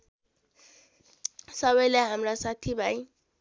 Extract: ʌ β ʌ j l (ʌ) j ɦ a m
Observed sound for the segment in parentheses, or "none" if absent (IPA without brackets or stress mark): a